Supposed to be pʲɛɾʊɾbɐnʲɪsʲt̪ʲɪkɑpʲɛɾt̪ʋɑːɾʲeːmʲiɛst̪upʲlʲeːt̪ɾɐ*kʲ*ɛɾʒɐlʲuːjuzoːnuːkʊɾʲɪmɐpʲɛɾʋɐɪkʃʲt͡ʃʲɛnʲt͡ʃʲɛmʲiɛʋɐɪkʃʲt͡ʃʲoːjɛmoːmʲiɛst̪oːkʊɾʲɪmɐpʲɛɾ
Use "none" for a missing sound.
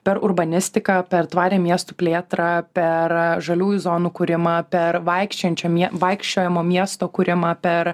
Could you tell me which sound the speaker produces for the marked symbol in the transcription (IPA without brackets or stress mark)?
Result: pʲ